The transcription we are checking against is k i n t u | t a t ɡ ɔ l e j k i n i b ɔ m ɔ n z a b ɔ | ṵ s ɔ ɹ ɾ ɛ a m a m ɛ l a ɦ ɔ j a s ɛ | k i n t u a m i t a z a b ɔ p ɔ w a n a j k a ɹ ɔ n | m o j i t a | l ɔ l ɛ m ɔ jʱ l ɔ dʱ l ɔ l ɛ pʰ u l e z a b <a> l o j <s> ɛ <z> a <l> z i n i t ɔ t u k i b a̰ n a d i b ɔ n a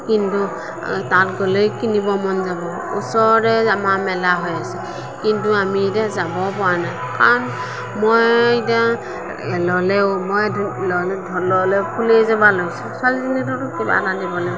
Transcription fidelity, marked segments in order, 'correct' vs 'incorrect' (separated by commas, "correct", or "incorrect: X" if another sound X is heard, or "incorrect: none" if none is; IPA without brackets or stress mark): correct, correct, incorrect: s, correct